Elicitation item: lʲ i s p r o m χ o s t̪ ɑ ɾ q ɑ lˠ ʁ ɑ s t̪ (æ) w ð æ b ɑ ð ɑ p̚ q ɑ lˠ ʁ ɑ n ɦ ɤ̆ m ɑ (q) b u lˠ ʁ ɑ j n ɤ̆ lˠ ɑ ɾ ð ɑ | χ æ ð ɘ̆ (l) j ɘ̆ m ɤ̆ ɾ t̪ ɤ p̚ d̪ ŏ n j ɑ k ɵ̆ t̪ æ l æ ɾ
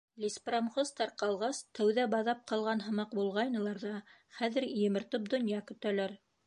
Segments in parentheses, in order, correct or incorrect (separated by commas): correct, correct, incorrect